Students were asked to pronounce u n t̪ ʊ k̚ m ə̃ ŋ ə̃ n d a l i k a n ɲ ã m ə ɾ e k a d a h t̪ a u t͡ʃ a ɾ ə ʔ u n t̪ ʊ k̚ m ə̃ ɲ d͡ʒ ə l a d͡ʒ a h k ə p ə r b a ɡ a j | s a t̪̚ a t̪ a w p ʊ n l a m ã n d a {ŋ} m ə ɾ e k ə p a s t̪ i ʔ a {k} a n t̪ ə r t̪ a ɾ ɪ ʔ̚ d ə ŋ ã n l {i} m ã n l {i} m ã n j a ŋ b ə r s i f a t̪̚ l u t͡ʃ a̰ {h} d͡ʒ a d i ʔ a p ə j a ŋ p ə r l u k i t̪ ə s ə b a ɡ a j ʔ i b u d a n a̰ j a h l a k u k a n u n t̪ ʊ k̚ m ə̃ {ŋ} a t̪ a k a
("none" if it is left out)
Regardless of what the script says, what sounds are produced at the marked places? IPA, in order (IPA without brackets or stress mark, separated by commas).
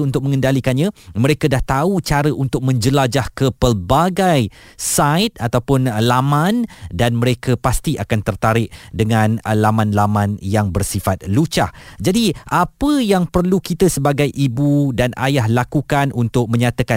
n, k, a, a, h, ɲ